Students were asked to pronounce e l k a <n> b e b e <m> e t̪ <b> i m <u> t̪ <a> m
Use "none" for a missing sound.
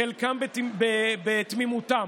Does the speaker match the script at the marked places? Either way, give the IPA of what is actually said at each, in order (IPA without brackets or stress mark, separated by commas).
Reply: m, b, m, u, a